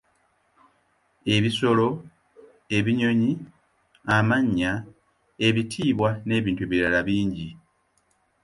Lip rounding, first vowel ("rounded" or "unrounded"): unrounded